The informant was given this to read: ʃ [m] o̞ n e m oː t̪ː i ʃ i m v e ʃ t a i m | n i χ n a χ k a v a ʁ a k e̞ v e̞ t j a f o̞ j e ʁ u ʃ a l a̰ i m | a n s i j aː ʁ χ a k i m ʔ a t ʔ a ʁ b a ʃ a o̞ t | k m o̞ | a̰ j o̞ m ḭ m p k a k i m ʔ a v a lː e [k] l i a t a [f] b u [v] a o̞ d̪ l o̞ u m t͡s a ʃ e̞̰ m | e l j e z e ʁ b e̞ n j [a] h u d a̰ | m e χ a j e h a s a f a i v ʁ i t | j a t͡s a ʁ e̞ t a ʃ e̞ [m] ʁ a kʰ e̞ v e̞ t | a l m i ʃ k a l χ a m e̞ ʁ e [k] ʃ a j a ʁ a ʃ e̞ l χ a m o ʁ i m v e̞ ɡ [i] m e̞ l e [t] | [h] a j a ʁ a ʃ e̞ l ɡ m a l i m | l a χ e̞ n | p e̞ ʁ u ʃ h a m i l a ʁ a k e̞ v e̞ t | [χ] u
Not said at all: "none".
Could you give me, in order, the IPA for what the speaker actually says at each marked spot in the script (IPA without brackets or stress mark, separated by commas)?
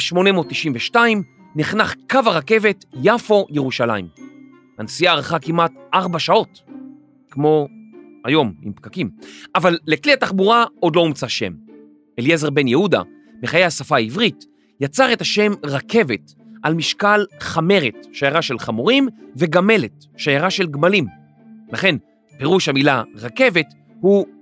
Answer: m, k, χ, ʁ, e, m, t, a, t, ʃ, h